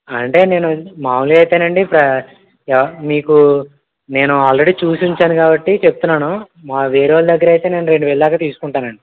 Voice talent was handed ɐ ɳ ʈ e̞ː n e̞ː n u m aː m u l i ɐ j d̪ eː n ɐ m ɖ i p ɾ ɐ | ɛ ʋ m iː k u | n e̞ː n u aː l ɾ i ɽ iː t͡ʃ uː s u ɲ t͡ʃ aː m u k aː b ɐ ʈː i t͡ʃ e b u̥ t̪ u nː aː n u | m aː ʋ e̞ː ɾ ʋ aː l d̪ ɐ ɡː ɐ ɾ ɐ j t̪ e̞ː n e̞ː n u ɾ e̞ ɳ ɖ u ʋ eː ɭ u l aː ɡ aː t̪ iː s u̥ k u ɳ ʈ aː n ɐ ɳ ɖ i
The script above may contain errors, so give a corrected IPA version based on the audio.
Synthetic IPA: ɐ ɳ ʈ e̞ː n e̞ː n u m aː m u l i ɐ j t̪ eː n ɐ ɳ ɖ i p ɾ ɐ | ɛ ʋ m iː k u | n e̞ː n u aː l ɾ e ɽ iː t͡ʃ uː s u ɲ t͡ʃ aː n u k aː b ɐ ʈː i t͡ʃ e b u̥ t̪ u nː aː n u | m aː ʋ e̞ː ɾ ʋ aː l d̪ ɐ ɡː ɐ ɾ ɐ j t̪ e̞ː n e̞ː n u ɾ e̞ ɳ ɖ u ʋ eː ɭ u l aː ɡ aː t̪ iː s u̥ k u ɳ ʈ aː n ɐ ɳ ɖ i

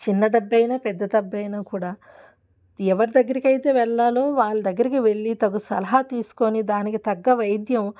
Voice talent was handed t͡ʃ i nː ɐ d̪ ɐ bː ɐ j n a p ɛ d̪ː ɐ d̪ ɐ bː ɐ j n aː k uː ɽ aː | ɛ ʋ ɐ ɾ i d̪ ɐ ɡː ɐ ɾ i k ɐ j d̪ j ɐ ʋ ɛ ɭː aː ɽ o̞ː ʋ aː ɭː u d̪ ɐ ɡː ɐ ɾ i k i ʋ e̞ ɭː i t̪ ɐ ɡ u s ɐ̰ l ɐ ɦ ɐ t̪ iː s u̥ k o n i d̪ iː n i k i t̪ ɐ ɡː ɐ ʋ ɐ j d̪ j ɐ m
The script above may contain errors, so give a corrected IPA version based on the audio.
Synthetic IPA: t͡ʃ i nː ɐ d̪ ɐ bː ɐ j n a p ɛ d̪ː ɐ d̪ ɐ bː ɐ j n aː k uː ɽ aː | ɛ ʋ ɐ ɾ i d̪ ɐ ɡː ɐ ɾ i k ɐ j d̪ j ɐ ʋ ɛ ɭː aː l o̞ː ʋ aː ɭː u d̪ ɐ ɡː ɐ ɾ i k i ʋ e̞ ɭː i t̪ ɐ ɡ u s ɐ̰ l ɐ ɦ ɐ t̪ iː s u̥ k o n i d̪ aː n i k i t̪ ɐ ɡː ɐ ʋ ɐ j d̪ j ɐ m

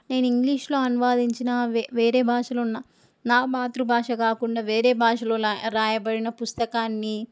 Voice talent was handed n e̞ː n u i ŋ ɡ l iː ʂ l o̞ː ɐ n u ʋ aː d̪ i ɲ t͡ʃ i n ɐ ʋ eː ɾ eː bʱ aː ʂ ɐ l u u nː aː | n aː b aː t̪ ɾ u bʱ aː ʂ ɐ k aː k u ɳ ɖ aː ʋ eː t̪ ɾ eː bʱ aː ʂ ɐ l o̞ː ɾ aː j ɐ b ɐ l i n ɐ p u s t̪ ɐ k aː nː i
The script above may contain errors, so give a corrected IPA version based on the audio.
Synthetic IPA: n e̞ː n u i ŋ ɡ l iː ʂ l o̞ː ɐ n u ʋ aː d̪ i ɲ t͡ʃ i n ɐ ʋ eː ɾ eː bʱ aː ʂ ɐ l o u nː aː | n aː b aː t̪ ɾ u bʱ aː ʂ ɐ k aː k u ɳ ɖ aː ʋ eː ɾ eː bʱ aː ʂ ɐ l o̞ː ɾ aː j ɐ b ɐ ɽ i n ɐ p u s t̪ ɐ k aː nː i

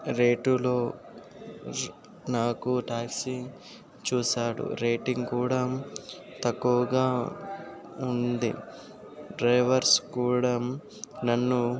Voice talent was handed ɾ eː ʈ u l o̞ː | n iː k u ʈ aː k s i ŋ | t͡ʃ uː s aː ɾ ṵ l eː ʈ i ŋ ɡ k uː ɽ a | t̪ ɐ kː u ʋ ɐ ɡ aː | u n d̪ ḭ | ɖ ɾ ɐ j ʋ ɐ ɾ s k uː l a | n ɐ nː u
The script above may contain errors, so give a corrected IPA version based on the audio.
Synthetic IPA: ɾ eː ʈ u l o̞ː | n aː k u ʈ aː k s i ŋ | t͡ʃ uː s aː ɽ ṵ ɾ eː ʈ i ŋ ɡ k uː ɽ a | t̪ ɐ kː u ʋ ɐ ɡ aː | u n d̪ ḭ | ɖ ɾ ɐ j ʋ ɐ ɾ s k uː ɽ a | n ɐ nː u

